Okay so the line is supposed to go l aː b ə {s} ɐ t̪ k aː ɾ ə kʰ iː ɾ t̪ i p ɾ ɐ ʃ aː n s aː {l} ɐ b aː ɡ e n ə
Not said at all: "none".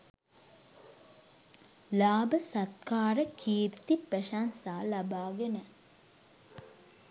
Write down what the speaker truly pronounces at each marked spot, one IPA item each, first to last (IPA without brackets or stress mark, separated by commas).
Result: s, l